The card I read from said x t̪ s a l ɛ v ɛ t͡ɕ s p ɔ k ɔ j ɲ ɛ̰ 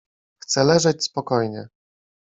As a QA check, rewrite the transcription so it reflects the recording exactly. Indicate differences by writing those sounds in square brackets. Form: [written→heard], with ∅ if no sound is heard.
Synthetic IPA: x t̪ s [a→ɛ] l ɛ [v→ʐ] ɛ t͡ɕ s p ɔ k ɔ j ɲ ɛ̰